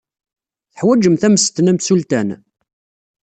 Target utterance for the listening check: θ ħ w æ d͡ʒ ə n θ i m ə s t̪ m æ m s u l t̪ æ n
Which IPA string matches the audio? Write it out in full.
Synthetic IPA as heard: θ ħ w æ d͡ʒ ə m θ æ m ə s t̪ n æ m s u l t̪ æ n